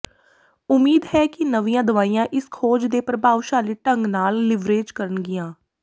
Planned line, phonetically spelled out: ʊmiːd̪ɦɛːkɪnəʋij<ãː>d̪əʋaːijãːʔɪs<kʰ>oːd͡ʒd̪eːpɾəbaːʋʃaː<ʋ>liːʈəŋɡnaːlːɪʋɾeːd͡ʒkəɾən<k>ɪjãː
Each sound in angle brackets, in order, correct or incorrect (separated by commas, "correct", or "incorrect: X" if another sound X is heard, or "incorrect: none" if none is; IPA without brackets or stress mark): correct, correct, incorrect: none, incorrect: ɡ